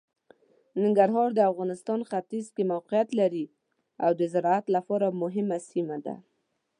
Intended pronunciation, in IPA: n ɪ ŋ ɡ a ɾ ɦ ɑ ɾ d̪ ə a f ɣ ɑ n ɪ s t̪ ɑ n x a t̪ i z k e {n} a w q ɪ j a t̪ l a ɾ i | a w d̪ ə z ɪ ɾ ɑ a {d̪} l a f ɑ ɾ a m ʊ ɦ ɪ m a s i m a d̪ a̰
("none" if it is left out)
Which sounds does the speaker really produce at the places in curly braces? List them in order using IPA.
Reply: m, t̪

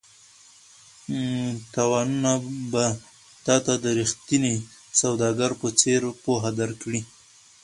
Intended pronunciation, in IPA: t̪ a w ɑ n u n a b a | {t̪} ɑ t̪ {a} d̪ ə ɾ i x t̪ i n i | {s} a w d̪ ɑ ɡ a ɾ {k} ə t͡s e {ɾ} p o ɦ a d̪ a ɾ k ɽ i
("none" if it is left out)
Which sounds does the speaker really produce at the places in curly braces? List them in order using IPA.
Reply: t̪, a, s, p, ɾ

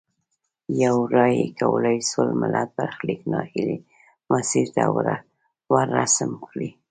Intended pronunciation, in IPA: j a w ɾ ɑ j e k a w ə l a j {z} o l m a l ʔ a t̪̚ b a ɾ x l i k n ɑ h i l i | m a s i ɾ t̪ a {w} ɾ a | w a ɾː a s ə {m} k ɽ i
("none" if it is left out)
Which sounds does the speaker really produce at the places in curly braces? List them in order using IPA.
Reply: s, w, m

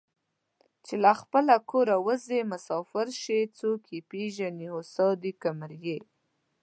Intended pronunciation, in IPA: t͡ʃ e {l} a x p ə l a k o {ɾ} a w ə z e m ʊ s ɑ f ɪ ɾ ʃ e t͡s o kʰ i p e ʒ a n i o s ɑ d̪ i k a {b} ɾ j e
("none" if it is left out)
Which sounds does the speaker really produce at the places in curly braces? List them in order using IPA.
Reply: l, ɾ, m

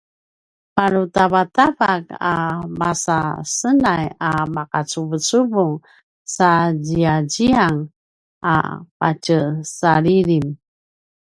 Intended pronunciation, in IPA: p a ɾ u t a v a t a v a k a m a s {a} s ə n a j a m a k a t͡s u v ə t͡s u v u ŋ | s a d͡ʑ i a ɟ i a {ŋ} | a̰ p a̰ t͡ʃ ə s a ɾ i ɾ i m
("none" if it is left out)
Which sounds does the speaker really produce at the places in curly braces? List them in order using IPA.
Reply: a, ŋ

